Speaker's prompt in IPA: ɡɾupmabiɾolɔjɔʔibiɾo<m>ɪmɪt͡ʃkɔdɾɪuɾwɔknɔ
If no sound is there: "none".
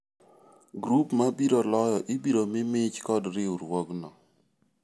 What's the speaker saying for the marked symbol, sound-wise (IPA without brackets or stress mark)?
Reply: m